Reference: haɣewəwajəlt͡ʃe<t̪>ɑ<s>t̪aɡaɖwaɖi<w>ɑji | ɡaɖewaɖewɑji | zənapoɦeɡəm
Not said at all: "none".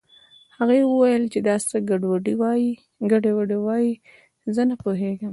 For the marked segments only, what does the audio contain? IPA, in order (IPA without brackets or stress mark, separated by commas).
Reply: d̪, s, w